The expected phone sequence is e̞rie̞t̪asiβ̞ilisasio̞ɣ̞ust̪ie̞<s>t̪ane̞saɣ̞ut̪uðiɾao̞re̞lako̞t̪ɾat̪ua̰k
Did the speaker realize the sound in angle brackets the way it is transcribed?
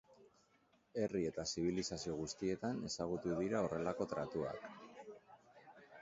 no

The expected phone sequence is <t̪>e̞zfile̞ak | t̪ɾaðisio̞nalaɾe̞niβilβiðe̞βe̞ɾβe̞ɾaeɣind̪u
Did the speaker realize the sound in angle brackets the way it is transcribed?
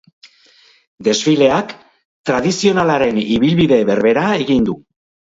no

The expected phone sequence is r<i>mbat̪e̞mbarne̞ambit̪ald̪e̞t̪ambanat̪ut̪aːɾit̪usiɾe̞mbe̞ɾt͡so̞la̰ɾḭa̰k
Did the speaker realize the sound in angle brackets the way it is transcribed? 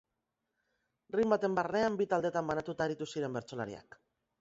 yes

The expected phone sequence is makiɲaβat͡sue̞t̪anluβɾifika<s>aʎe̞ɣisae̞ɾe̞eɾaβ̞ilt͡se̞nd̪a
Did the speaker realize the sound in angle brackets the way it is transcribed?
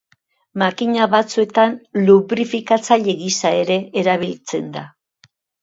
no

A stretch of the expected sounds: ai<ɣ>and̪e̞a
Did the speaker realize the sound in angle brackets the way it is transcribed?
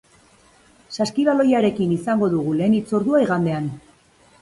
yes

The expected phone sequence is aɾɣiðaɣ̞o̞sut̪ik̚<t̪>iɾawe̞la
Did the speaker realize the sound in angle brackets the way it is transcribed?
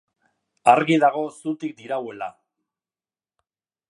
no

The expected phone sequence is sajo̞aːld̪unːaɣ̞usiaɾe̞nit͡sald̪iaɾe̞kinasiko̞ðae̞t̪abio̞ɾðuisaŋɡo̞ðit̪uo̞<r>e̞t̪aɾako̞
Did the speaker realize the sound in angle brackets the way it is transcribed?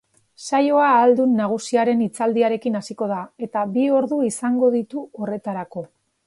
yes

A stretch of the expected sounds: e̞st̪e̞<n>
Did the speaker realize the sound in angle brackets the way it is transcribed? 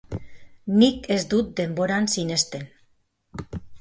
yes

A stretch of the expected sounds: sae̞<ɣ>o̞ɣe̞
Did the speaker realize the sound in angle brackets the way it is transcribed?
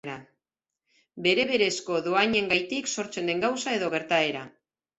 no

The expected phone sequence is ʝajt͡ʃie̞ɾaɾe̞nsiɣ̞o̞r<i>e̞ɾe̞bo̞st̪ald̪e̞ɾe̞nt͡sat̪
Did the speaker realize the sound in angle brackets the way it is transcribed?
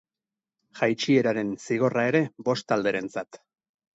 no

